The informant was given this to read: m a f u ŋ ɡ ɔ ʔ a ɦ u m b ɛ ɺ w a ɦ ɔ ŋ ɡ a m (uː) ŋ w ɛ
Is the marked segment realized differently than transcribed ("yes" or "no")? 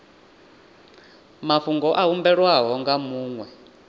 no